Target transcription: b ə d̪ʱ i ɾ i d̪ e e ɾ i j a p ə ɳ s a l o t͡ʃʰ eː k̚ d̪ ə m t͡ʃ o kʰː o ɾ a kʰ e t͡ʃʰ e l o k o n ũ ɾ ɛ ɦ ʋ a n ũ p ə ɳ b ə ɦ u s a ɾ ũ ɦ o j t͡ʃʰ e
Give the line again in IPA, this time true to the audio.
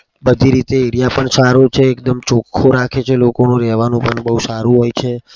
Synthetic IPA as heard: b ə d̪ʱ i ɾ i t̪ e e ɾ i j a p ə ɳ s a ɾ o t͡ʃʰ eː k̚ d̪ ə m t͡ʃ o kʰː o ɾ a kʰ e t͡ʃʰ e l o k o n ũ ɾ ɛ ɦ ʋ a n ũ p ə ɳ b ə ɦ u s a ɾ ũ ɦ o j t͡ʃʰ e